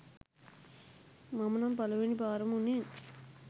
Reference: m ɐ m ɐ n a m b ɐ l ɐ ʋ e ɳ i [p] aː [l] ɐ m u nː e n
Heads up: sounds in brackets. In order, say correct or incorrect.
incorrect: b, incorrect: ɾ

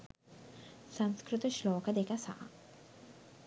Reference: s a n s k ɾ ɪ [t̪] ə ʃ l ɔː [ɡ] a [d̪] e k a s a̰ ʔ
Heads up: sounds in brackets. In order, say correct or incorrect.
correct, incorrect: k, correct

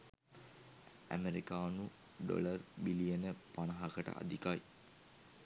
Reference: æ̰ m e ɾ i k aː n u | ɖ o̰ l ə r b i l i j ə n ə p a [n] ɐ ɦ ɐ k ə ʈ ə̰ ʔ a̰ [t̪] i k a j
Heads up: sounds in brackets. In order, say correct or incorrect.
correct, incorrect: d̪

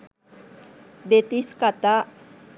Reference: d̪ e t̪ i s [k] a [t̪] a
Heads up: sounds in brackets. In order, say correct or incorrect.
correct, correct

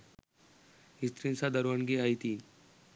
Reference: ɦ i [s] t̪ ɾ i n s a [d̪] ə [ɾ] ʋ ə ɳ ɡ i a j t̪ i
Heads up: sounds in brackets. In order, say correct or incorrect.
correct, correct, correct

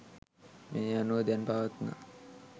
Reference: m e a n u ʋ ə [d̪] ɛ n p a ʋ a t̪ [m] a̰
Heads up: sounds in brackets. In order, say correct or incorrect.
correct, incorrect: n

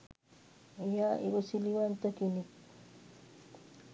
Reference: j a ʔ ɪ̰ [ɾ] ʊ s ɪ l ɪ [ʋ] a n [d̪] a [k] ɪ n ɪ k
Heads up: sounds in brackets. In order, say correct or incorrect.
correct, incorrect: w, incorrect: t̪, correct

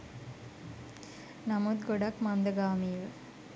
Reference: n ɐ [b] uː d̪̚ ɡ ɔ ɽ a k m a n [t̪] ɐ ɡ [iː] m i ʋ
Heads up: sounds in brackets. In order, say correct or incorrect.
incorrect: m, incorrect: d̪, incorrect: aː

